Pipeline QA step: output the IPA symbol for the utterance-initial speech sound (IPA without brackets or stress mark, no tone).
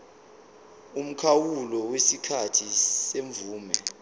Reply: u